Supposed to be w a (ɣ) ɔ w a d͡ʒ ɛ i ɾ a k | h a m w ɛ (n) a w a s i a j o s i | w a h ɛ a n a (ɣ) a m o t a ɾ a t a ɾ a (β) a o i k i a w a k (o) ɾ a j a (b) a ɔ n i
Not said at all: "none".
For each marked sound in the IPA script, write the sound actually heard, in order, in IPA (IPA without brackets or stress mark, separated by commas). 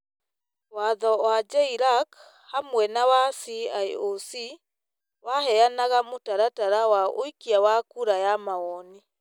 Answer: ð, n, ɣ, w, u, m